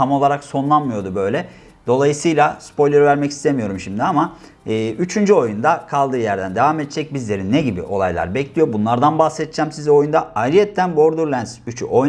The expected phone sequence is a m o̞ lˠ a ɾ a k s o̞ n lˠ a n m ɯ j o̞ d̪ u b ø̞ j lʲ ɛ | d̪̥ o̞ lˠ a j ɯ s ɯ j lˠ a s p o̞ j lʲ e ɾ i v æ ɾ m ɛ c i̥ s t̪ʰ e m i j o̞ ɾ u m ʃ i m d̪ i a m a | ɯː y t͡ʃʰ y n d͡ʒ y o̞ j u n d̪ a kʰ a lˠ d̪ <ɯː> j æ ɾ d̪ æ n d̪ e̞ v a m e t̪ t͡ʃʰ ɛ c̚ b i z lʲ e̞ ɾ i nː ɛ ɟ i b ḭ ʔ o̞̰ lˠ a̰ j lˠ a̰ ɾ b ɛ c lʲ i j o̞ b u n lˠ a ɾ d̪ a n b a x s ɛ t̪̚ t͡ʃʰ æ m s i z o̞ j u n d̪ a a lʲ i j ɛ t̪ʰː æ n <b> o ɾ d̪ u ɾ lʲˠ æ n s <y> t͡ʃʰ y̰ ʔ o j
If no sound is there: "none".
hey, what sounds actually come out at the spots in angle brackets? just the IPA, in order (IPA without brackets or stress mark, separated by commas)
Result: ɯː, b, y